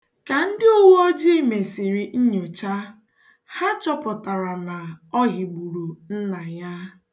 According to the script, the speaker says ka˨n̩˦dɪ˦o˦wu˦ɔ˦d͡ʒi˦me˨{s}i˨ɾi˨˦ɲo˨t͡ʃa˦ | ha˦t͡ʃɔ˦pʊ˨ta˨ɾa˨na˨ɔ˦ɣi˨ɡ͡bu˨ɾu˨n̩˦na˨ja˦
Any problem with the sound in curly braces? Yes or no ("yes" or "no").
no